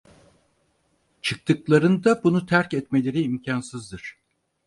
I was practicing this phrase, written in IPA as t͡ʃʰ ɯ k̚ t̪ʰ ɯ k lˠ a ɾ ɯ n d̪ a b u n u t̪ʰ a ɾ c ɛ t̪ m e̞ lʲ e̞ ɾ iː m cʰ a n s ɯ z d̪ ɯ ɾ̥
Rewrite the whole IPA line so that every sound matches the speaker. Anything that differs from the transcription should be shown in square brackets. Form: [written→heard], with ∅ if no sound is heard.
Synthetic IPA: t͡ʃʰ ɯ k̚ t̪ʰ ɯ k lˠ a ɾ ɯ n d̪ a b u n u t̪ʰ [a→æ] ɾ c ɛ t̪ m e̞ lʲ e̞ ɾ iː m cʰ a n s ɯ z d̪ ɯ ɾ̥